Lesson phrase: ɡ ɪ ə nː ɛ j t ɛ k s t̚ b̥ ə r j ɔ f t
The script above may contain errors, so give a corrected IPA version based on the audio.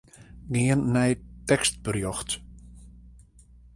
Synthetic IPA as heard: ɡ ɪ ə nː ɛ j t ɛ k s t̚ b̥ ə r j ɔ x t